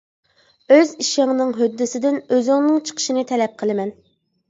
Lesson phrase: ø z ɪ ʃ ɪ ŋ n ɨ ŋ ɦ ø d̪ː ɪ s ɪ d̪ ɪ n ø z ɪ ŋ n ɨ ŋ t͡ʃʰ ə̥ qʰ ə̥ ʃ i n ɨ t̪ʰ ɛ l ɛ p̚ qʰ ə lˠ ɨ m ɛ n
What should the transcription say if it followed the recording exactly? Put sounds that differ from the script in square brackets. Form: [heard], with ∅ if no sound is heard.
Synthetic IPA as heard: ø z [i] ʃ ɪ ŋ n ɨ ŋ ɦ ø d̪ː ɪ s ɪ d̪ ɪ n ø z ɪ ŋ n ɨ ŋ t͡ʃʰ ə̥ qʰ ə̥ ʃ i n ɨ t̪ʰ ɛ l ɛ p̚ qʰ ə lˠ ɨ m ɛ n

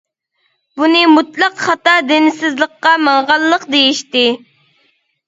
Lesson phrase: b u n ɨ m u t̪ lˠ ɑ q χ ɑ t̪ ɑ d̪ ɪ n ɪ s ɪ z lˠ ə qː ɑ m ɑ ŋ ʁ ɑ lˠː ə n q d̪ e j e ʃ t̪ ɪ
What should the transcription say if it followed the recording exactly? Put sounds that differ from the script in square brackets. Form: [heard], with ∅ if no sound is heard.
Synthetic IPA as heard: b u n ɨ m u t̪ lˠ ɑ q χ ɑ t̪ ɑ d̪ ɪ n ɪ s ɪ z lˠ ə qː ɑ m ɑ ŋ ʁ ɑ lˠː ə [∅] q d̪ e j [i] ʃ t̪ ɪ

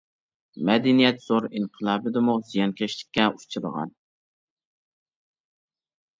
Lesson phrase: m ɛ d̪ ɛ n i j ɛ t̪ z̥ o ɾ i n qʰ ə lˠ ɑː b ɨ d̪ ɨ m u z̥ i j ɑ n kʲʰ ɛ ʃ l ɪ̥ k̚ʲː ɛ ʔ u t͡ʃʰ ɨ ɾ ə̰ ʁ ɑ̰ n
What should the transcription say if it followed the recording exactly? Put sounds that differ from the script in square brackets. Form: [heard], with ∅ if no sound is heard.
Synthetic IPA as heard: m ɛ d̪ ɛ n i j ɛ t̪ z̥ o ɾ i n qʰ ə lˠ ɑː b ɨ d̪ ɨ m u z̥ i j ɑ n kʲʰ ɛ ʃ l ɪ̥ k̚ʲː ɛ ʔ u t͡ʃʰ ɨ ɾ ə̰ ʁ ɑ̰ n

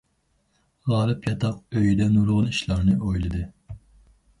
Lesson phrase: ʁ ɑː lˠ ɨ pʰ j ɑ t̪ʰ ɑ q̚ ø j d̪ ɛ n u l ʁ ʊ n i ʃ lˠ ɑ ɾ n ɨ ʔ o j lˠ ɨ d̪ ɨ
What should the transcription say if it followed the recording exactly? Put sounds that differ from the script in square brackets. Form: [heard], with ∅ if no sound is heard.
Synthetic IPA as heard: ʁ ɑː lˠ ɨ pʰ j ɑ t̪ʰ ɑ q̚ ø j d̪ ɛ n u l ʁ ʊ n i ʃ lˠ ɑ ɾ n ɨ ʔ o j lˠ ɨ d̪ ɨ

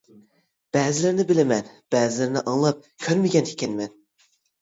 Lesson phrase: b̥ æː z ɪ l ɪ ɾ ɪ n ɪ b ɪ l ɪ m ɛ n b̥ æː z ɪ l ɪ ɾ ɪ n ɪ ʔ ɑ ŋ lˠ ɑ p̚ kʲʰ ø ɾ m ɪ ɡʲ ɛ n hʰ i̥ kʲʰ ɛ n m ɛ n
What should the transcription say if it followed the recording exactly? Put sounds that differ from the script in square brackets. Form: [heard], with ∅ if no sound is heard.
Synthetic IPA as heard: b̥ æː z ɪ l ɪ ɾ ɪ n ɪ b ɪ l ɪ m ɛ n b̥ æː z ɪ l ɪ ɾ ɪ n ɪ ʔ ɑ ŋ lˠ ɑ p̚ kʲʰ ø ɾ m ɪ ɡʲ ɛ n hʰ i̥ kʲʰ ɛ n m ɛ n

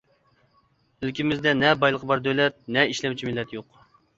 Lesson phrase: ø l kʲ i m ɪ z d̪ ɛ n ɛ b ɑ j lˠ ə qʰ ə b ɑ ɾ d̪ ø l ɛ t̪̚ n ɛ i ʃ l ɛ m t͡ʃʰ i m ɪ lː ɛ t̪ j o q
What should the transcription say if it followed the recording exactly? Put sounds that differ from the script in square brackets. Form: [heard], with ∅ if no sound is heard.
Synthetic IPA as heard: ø l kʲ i m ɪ z d̪ ɛ n ɛ b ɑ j lˠ ə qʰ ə b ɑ ɾ d̪ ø l ɛ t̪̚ n ɛ i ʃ l ɛ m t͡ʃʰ i m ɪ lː ɛ t̪ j o q

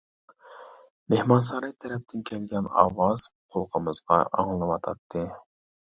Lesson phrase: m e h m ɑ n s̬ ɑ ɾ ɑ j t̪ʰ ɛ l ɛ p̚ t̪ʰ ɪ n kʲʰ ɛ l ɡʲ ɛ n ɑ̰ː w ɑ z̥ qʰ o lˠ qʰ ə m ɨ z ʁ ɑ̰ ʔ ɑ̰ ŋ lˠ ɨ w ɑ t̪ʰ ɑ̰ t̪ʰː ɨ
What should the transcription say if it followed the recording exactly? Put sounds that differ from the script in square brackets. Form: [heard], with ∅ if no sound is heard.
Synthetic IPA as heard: m e h m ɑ n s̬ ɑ ɾ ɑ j t̪ʰ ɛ [ɾ] ɛ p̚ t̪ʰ ɪ n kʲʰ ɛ l ɡʲ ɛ n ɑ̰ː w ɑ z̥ qʰ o lˠ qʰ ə m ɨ z ʁ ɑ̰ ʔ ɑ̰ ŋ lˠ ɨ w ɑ t̪ʰ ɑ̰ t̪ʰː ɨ

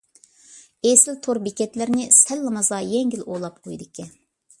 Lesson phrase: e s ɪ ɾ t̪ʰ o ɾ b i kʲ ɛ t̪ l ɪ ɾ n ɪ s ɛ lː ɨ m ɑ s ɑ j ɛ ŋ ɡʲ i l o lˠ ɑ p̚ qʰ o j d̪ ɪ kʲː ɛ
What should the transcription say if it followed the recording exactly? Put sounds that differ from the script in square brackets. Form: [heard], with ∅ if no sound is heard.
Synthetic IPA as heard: e s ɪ [l] t̪ʰ o ɾ b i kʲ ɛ t̪ l ɪ ɾ n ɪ s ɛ lː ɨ m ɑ [z] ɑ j ɛ ŋ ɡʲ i l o lˠ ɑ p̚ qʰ o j d̪ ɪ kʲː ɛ

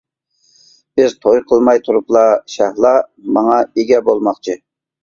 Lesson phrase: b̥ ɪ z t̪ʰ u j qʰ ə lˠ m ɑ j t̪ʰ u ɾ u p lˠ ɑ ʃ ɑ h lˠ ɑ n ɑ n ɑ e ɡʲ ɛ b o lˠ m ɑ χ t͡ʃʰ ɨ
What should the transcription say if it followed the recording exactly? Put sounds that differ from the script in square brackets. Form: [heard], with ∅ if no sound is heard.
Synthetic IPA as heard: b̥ ɪ z t̪ʰ [o] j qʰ ə lˠ m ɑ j t̪ʰ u ɾ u p lˠ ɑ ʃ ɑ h lˠ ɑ [m] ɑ [ŋ] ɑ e ɡʲ ɛ b o lˠ m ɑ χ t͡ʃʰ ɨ

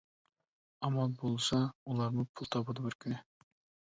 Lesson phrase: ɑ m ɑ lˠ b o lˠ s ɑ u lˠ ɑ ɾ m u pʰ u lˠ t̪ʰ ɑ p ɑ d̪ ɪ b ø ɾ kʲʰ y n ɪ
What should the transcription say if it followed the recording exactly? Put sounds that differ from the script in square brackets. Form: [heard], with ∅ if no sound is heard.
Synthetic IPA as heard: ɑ m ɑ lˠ b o lˠ s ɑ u lˠ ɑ ɾ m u pʰ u lˠ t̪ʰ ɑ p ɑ d̪ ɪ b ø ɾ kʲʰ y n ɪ

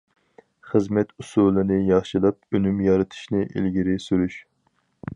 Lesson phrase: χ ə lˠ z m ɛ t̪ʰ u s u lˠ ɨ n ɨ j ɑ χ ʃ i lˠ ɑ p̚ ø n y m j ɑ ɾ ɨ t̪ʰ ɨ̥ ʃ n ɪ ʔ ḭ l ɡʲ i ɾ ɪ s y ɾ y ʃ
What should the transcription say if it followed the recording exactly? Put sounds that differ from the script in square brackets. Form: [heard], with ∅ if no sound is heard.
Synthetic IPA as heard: χ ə [∅] z m ɛ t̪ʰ u s u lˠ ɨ n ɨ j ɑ χ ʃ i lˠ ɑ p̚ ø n y m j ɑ ɾ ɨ t̪ʰ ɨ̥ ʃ n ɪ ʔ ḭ l ɡʲ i ɾ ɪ s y ɾ y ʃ

